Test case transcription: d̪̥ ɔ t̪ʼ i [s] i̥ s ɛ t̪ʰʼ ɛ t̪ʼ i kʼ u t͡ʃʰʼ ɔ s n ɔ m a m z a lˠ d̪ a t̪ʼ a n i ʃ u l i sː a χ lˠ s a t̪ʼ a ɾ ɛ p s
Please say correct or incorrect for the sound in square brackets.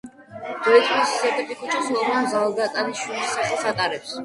correct